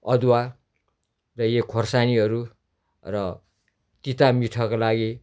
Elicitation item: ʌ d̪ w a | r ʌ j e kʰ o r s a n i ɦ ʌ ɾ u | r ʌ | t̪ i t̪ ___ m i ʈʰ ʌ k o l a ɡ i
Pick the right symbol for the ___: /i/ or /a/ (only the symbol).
a